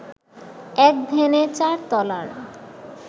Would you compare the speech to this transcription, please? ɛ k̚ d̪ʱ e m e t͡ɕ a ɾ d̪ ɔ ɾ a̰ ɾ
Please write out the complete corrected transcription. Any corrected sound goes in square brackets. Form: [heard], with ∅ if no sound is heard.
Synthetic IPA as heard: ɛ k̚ d̪ʱ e [n] e t͡ɕ a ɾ [t̪] ɔ [l] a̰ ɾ